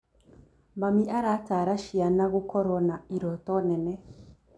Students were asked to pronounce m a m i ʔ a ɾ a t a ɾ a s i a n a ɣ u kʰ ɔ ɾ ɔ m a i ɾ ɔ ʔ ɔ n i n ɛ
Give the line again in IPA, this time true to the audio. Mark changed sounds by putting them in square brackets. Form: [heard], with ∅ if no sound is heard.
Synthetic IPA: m a m i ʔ a ɾ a t a ɾ a [ʃ] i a n a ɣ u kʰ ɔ ɾ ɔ [n] a i ɾ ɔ [t] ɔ n [ɛ] n ɛ